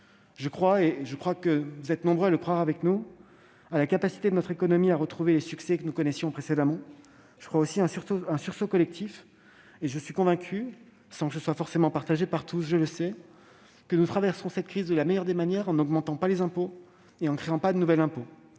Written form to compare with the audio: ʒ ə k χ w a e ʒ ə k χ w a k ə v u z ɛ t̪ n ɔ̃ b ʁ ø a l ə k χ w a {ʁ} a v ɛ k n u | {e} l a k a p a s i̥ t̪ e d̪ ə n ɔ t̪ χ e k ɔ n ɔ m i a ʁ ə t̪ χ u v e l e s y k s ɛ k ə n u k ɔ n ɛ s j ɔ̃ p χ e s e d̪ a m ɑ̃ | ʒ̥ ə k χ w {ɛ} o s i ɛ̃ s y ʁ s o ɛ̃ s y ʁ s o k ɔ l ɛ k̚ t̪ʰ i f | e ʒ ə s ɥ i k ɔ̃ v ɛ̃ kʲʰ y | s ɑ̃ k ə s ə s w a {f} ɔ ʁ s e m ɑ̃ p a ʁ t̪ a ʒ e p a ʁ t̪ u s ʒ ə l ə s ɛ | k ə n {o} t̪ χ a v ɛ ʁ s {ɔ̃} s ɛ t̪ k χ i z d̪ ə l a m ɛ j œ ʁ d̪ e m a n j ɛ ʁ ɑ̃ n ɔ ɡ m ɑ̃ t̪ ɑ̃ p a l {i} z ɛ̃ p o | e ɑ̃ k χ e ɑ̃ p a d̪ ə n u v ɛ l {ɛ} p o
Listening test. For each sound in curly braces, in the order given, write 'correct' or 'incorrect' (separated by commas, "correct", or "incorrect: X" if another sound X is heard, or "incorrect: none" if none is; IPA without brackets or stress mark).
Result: correct, incorrect: a, incorrect: a, correct, incorrect: u, correct, incorrect: e, incorrect: ɛ̃